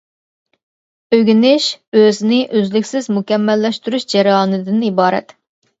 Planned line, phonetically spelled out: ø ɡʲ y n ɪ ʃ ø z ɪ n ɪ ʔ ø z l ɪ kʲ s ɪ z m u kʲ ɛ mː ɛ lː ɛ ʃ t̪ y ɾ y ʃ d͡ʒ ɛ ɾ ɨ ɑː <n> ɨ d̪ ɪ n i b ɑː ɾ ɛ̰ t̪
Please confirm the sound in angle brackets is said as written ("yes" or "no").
yes